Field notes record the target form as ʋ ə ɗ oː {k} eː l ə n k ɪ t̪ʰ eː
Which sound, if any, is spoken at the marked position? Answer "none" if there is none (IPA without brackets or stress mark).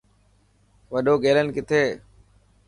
ɡ